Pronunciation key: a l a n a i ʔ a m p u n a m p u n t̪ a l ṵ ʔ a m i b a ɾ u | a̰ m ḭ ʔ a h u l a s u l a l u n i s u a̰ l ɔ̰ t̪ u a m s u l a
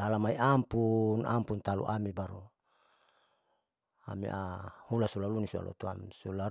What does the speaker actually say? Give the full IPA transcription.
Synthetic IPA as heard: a l a m a i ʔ a m p u n a m p u n t̪ a l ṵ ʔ a m i b a ɾ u | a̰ m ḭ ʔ a h u l a s u l a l u n i s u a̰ l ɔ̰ t̪ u a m s u l a